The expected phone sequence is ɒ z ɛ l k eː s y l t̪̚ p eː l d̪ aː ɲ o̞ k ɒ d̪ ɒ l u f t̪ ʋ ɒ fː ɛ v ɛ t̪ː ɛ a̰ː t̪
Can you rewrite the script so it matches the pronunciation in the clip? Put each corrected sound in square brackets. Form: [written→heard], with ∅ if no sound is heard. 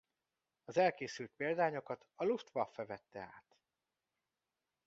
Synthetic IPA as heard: ɒ z ɛ l k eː s y l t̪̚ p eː l d̪ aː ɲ o̞ k ɒ [d̪→t̪] ɒ l u f t̪ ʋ ɒ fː ɛ v ɛ t̪ː ɛ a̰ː t̪

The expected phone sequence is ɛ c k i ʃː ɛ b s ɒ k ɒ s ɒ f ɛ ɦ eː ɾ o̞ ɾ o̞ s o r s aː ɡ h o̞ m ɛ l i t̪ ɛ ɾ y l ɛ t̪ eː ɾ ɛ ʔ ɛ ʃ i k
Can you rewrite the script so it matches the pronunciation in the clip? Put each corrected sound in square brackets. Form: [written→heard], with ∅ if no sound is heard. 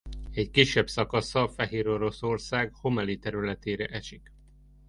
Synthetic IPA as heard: ɛ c k i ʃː ɛ b s ɒ k ɒ s ɒ f ɛ ɦ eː ɾ o̞ ɾ o̞ s o r s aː ɡ h o̞ m ɛ l i t̪ ɛ ɾ y l ɛ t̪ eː ɾ ɛ ʔ ɛ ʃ i k

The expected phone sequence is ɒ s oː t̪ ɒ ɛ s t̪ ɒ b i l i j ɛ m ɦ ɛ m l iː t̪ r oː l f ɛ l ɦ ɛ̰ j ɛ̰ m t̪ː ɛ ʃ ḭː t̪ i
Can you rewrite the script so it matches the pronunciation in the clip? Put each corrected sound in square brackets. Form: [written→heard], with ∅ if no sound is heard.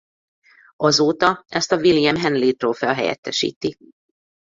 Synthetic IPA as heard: ɒ [s→z] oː t̪ ɒ ɛ s t̪ ɒ [b→v] i l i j ɛ m ɦ ɛ [m→n] l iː t̪ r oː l f ɛ l ɦ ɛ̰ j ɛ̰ [m→∅] t̪ː ɛ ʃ ḭː t̪ i

